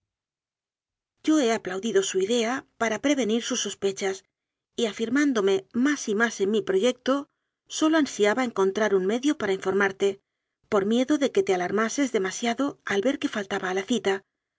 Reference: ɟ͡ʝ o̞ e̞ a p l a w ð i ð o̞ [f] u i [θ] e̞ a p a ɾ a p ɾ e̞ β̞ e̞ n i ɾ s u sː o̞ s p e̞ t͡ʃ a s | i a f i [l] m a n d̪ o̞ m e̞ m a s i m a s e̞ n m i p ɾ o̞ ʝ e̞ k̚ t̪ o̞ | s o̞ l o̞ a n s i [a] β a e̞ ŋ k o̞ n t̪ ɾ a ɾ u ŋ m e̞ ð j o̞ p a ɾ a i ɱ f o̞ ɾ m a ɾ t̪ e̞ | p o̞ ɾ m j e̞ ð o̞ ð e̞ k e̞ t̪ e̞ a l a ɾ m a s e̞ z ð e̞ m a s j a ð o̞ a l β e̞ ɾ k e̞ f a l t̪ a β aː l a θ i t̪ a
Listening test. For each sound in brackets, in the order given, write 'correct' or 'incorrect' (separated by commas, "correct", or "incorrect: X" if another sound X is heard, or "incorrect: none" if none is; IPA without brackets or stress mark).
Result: incorrect: s, incorrect: ð, incorrect: ɾ, correct